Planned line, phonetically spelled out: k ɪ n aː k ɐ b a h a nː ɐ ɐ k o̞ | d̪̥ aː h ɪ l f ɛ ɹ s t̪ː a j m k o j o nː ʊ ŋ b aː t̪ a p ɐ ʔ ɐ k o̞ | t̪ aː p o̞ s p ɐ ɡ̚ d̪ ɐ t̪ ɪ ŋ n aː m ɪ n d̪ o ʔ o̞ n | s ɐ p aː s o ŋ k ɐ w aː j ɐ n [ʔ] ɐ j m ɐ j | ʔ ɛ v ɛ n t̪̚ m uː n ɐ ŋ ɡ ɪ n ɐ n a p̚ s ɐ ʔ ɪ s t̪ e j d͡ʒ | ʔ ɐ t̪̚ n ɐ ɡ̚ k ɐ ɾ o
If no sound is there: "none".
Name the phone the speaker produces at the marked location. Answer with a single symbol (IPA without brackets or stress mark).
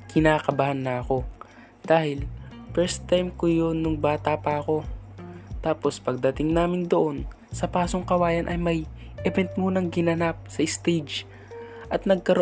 ʔ